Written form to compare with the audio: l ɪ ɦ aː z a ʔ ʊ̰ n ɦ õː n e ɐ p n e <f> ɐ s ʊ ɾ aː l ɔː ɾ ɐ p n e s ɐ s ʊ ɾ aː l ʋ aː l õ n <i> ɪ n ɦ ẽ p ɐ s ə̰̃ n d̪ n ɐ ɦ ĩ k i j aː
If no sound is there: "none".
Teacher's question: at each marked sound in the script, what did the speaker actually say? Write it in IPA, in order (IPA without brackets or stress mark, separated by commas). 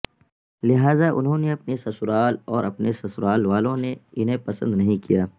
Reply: s, e